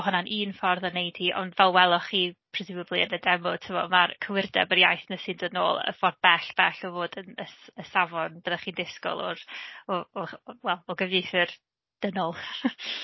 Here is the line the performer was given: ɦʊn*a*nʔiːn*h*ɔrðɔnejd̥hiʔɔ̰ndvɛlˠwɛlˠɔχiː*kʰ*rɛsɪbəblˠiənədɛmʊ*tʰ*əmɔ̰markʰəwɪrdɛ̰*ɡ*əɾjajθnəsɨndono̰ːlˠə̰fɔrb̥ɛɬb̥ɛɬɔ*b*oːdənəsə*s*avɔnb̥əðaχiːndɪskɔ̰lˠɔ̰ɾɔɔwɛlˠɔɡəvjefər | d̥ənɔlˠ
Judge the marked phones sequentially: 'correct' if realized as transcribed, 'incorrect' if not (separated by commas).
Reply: correct, incorrect, incorrect, correct, incorrect, incorrect, correct